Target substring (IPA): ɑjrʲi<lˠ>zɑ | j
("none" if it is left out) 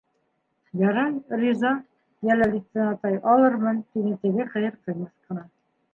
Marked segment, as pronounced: none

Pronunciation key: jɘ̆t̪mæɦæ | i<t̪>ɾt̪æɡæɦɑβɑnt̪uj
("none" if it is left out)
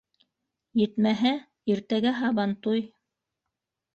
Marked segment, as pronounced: none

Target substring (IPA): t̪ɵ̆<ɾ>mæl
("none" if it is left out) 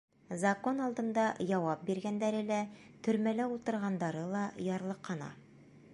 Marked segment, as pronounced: ɾ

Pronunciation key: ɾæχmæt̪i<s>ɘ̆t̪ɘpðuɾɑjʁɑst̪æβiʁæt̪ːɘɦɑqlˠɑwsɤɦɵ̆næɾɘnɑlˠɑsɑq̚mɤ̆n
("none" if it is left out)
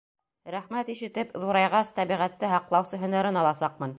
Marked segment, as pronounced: ʃ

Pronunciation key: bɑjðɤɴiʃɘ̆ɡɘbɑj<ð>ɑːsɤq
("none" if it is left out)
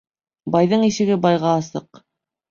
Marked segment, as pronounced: ʁ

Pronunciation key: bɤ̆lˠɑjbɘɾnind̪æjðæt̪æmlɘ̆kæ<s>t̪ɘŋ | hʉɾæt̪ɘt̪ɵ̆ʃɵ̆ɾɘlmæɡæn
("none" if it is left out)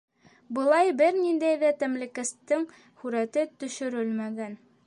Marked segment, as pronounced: s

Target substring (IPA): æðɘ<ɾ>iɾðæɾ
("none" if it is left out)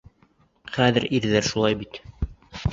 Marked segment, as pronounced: ɾ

